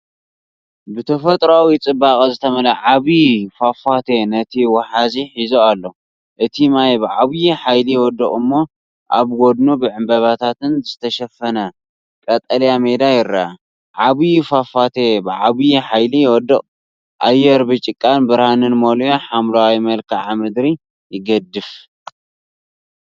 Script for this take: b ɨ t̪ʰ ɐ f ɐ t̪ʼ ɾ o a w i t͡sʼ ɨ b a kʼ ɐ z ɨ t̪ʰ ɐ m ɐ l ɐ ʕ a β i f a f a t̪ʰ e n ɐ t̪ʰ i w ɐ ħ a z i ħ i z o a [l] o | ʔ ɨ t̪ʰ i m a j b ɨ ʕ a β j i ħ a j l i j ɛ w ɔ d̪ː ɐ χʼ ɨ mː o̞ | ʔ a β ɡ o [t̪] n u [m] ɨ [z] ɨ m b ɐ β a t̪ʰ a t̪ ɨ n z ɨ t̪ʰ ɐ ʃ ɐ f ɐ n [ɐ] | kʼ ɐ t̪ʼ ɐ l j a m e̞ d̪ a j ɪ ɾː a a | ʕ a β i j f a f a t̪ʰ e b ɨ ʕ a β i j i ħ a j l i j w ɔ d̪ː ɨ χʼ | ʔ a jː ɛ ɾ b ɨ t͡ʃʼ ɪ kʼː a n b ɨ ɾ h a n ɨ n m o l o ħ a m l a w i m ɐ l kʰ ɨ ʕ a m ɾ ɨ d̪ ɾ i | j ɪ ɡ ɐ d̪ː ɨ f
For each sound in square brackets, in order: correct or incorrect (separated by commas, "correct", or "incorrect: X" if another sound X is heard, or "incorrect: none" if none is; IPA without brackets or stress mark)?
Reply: incorrect: lː, incorrect: d̪, incorrect: b, incorrect: ʕ, correct